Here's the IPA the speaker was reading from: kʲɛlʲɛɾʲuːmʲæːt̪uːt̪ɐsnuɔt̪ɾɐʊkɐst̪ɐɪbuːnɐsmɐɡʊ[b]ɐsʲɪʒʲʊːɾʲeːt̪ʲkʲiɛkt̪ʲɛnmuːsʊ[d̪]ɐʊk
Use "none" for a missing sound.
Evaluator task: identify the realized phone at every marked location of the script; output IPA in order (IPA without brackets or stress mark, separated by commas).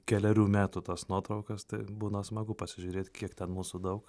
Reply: p, d̪